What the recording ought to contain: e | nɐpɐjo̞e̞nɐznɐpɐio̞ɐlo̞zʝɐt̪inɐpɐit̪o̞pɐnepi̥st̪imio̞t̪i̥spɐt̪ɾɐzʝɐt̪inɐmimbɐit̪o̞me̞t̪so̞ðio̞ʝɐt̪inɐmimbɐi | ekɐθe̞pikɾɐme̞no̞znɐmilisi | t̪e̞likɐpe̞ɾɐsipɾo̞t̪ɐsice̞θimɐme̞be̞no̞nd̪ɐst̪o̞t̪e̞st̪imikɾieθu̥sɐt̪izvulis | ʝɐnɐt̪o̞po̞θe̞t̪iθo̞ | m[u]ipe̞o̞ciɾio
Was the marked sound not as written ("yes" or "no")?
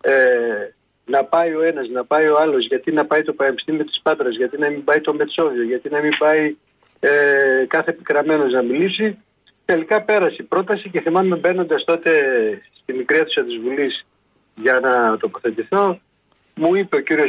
no